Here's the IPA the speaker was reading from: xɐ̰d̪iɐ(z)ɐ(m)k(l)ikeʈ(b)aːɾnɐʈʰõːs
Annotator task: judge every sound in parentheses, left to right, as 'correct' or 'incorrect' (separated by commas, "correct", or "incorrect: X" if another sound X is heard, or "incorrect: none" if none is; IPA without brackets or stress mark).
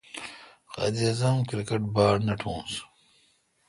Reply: correct, correct, incorrect: ɾ, correct